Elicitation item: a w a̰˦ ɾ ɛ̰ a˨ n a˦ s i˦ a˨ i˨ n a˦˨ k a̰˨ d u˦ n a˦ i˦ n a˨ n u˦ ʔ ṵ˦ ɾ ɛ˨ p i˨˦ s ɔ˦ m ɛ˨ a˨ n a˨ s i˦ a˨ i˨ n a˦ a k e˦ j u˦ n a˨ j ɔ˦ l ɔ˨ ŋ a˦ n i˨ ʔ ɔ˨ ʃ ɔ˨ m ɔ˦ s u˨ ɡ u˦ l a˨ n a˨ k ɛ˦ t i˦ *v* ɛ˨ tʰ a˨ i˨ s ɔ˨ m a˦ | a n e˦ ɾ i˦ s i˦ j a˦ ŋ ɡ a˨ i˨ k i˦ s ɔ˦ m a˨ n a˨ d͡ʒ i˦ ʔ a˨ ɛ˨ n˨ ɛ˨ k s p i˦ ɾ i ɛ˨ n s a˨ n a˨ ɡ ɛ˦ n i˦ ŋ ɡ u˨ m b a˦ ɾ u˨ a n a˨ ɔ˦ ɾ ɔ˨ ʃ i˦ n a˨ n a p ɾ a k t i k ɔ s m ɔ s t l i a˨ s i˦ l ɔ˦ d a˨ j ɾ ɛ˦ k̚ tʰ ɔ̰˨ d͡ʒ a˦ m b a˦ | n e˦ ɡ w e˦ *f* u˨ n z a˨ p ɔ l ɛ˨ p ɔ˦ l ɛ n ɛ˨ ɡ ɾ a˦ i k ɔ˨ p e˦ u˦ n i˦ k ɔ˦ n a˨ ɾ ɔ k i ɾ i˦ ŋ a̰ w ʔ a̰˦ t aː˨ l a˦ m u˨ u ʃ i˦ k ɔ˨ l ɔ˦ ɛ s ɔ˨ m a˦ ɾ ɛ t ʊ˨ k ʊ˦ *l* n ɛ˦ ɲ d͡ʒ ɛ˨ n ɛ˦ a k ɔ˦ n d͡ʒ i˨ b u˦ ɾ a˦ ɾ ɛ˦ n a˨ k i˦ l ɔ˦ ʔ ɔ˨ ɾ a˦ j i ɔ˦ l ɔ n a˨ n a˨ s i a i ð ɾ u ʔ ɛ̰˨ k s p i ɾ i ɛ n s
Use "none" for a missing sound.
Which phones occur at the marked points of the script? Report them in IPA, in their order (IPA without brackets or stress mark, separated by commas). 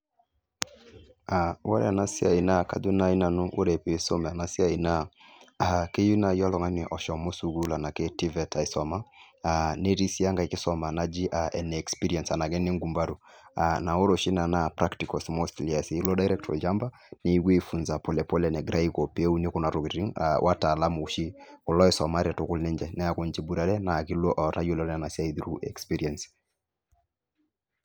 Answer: v, f, l